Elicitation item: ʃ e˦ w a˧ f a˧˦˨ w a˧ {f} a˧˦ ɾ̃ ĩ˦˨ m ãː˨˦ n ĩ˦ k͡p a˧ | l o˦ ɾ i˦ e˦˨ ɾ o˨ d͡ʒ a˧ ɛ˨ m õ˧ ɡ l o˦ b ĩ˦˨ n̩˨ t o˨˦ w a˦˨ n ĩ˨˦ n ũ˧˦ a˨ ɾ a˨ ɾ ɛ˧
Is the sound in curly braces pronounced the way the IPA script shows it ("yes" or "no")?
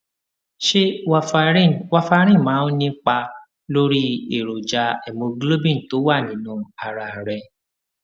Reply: yes